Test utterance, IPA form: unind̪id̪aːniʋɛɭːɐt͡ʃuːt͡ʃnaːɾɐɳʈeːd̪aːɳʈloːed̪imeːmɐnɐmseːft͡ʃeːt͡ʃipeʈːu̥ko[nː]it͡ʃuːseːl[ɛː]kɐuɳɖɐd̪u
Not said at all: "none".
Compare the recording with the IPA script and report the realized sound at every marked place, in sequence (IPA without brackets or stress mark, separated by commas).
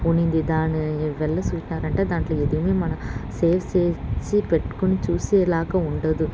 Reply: n, aː